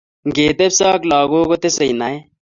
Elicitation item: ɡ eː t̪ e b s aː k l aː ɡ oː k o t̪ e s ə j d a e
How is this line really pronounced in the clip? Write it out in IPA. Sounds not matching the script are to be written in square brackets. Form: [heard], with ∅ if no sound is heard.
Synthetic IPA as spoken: ɡ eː t̪ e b s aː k l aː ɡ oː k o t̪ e s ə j [n] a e